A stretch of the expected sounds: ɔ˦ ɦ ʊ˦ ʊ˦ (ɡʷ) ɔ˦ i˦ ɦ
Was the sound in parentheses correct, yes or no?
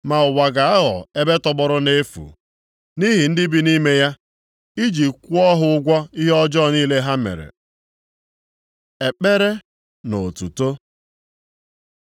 yes